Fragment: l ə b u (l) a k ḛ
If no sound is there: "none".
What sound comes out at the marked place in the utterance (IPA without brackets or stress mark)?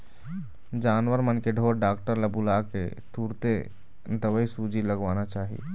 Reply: l